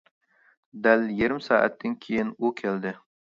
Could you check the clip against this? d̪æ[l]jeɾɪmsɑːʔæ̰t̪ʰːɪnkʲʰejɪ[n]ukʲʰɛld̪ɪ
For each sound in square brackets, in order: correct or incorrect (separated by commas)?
correct, correct